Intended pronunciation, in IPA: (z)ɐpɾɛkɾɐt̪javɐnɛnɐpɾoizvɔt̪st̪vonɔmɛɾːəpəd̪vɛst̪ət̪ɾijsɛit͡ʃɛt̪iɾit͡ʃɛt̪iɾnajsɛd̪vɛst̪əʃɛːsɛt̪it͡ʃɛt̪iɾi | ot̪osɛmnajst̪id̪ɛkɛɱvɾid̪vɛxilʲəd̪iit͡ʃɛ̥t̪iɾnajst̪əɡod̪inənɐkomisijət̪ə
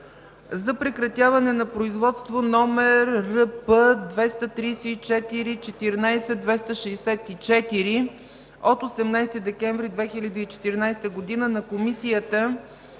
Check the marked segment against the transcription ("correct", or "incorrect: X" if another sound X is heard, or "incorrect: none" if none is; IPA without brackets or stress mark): correct